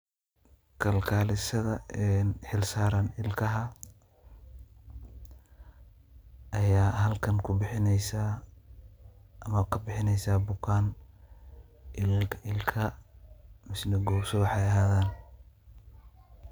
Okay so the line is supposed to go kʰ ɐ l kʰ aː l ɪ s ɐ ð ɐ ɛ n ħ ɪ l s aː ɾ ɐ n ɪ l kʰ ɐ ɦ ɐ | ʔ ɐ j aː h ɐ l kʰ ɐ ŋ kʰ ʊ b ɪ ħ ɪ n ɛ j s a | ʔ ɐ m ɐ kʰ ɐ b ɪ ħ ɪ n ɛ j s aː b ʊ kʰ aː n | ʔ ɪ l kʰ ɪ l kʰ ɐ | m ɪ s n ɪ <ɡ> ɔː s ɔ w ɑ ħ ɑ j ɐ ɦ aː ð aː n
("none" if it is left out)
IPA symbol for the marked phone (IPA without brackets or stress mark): ɡ